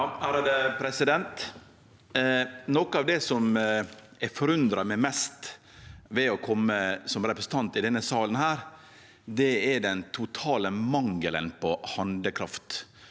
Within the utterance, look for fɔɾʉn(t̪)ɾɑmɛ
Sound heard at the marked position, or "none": d̪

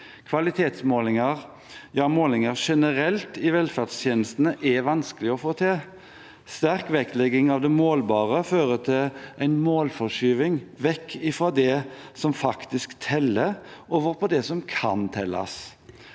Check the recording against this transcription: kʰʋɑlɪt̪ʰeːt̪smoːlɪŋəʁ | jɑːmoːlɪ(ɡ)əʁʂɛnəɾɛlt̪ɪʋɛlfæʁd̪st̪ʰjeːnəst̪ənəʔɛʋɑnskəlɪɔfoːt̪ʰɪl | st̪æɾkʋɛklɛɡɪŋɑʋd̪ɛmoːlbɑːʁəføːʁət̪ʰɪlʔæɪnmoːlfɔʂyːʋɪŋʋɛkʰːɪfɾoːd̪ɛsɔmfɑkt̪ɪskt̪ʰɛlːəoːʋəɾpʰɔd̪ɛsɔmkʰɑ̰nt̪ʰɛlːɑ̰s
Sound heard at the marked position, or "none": ŋ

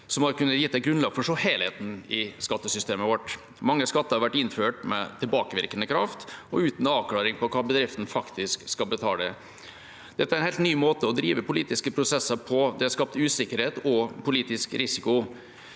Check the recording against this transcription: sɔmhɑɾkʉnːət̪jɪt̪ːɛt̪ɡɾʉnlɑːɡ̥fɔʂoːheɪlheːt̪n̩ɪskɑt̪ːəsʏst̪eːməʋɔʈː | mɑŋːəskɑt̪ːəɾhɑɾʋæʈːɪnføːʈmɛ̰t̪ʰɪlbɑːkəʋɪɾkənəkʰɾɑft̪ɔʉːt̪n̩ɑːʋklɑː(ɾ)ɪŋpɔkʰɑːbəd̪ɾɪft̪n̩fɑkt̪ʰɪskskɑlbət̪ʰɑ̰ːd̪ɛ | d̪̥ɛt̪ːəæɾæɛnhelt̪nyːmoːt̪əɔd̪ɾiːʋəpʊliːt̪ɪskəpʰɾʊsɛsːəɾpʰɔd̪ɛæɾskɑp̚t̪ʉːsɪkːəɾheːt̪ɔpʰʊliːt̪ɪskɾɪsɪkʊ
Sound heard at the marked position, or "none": ɾ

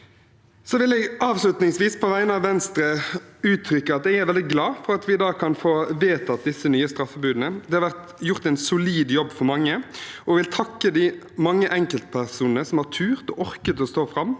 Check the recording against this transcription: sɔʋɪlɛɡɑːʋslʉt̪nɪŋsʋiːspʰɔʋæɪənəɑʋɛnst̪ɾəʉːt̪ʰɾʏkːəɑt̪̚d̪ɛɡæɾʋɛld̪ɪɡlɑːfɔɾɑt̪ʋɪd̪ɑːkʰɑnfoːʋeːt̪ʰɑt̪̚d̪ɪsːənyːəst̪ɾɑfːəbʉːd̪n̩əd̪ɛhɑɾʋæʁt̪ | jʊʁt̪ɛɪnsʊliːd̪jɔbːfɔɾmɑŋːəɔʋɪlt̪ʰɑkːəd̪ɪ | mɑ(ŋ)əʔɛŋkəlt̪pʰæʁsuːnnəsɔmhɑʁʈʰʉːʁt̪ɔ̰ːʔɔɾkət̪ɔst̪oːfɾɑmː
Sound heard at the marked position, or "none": ŋː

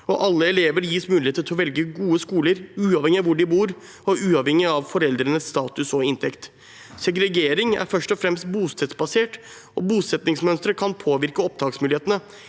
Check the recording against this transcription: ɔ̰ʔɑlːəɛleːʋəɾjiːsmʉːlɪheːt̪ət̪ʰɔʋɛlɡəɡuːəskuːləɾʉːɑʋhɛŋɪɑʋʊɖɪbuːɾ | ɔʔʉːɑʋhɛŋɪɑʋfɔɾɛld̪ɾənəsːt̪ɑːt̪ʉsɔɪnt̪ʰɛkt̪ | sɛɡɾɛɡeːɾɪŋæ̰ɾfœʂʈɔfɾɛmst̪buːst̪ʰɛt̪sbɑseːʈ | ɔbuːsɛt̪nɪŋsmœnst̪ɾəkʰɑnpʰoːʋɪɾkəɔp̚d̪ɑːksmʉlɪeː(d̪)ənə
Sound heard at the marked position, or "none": t̪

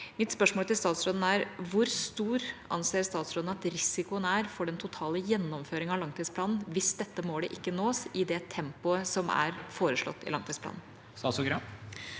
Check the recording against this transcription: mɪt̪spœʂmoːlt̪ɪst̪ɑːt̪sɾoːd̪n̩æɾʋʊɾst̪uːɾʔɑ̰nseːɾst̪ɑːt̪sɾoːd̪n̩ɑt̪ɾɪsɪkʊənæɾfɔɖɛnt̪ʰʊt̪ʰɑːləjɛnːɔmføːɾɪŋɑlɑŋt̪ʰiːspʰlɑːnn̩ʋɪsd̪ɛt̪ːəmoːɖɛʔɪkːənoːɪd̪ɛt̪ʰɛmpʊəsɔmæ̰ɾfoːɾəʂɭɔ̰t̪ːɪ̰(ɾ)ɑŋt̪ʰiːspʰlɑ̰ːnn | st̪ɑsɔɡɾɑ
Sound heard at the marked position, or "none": l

